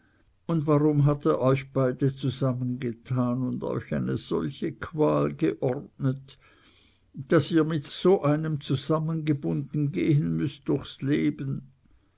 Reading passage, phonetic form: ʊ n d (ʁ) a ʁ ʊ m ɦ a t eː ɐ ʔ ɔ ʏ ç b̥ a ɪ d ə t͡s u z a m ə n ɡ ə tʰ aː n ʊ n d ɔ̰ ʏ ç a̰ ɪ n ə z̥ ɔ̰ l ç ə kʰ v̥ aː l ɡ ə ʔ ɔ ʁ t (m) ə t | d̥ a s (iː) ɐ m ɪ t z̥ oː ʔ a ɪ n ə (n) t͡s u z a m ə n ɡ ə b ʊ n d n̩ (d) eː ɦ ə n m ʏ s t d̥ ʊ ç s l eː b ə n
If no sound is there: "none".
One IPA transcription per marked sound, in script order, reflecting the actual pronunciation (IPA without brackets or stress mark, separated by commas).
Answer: v, n, iː, m, ɡ